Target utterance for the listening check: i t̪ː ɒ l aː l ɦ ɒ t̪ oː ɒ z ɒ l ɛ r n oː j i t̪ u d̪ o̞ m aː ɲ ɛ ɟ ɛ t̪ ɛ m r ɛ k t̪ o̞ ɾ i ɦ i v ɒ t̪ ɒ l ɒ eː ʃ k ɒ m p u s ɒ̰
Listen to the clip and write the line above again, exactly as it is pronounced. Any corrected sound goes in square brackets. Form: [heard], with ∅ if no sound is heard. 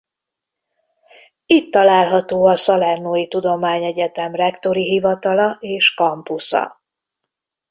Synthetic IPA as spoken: i t̪ː ɒ l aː l ɦ ɒ t̪ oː ɒ [s] ɒ l ɛ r n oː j i t̪ u d̪ o̞ m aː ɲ ɛ ɟ ɛ t̪ ɛ m r ɛ k t̪ o̞ ɾ i ɦ i v ɒ t̪ ɒ l ɒ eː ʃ k ɒ m p u s ɒ̰